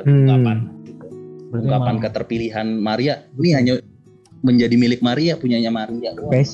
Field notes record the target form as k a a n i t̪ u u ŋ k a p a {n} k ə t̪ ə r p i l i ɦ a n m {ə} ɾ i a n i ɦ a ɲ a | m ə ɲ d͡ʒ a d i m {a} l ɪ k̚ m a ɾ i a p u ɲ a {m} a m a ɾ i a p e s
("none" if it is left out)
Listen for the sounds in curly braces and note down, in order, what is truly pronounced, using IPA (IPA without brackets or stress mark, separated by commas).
n, a, i, ɲ